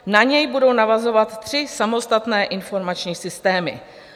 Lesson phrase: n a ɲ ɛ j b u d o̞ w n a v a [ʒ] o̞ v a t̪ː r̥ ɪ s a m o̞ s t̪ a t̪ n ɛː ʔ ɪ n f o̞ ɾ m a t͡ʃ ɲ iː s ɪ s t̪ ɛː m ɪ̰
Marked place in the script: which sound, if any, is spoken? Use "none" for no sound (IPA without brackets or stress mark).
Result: z